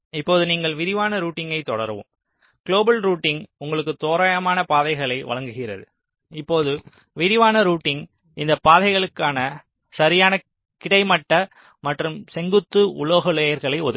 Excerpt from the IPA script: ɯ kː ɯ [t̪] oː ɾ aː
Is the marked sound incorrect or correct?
correct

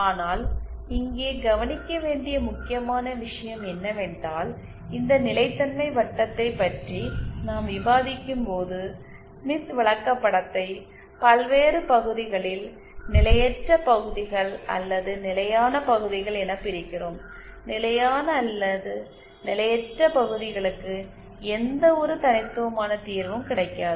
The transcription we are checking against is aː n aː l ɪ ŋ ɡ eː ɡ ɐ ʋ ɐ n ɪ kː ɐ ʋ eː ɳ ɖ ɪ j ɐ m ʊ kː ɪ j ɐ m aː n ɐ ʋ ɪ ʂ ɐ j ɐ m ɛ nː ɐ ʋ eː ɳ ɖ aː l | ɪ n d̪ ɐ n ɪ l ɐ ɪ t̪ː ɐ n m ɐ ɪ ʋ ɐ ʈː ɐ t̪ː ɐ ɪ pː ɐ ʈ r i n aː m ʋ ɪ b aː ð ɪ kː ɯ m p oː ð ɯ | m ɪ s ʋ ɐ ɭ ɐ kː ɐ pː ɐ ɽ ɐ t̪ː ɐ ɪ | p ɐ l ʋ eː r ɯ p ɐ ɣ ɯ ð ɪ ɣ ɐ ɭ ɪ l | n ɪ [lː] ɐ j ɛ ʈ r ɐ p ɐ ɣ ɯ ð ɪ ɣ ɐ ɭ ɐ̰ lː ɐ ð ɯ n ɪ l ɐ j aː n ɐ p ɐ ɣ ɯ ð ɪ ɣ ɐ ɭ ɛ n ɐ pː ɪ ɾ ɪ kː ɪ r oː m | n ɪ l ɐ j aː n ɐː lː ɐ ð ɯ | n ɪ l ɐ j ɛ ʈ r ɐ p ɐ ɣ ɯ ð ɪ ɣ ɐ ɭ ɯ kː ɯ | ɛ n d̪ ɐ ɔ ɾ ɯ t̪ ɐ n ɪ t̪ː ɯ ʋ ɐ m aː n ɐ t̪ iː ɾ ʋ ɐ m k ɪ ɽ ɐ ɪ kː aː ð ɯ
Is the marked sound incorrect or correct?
incorrect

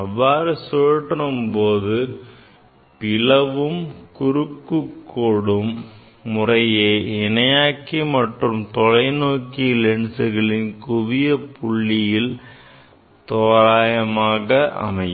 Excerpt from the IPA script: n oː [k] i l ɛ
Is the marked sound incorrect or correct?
correct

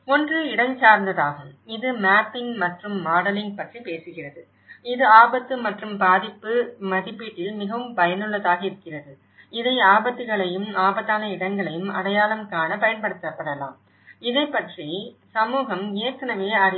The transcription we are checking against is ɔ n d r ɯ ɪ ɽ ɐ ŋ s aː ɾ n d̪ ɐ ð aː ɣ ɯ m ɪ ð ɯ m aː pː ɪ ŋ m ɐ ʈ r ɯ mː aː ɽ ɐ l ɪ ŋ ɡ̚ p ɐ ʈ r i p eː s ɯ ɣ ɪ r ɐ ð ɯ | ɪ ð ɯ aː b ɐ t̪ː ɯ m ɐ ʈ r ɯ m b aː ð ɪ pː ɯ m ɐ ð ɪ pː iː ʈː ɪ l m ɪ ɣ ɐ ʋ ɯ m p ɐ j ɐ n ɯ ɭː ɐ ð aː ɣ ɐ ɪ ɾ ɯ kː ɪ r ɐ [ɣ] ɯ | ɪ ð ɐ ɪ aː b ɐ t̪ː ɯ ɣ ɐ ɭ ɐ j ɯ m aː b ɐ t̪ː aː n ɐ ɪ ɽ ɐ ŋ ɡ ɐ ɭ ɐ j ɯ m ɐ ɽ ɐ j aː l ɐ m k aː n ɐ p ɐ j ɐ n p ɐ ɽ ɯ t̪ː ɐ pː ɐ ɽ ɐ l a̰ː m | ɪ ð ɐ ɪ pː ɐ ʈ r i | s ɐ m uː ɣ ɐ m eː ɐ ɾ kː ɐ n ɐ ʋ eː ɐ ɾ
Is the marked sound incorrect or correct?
incorrect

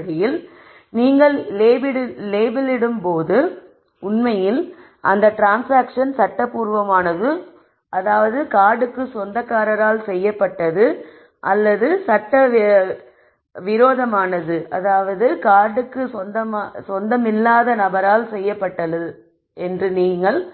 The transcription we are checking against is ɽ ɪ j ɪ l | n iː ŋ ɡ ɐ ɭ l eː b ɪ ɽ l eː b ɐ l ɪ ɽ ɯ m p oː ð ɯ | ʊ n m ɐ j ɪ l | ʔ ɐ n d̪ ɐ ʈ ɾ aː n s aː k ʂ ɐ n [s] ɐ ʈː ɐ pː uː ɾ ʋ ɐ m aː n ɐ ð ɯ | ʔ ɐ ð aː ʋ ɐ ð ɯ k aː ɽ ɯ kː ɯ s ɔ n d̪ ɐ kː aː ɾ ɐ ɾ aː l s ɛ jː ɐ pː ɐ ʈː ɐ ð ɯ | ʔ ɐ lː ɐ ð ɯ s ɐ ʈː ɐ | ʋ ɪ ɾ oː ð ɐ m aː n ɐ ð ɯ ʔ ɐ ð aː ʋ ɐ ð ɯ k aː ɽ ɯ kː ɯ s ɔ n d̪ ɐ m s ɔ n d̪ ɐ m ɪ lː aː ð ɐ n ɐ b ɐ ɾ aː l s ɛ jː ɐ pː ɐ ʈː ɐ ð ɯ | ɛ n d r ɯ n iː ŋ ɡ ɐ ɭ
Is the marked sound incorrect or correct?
correct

